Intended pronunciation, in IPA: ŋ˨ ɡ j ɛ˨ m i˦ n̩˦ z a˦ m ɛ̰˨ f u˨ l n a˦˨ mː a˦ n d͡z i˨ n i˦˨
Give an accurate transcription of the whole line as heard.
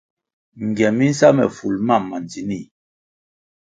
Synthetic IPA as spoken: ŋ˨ ɡ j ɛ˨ m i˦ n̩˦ s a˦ m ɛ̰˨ f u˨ l m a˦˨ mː a˨ n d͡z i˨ n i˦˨